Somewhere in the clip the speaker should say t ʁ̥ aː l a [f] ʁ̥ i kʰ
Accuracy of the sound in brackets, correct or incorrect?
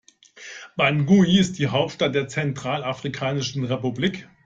correct